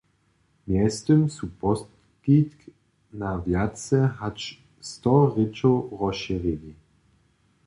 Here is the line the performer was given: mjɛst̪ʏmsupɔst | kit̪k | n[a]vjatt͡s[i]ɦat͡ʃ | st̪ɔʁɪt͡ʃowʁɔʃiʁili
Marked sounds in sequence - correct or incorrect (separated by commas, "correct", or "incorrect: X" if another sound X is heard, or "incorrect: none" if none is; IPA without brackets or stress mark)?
correct, incorrect: ɛ